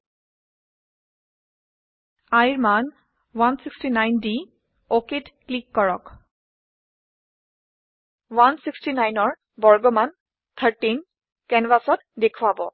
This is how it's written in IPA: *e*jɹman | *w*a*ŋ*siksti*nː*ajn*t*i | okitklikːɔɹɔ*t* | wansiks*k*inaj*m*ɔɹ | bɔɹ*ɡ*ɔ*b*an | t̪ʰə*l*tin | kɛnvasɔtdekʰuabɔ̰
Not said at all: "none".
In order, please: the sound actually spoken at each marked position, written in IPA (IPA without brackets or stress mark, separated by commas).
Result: a, w, n, n, d, k, t, n, ɡ, m, ɹ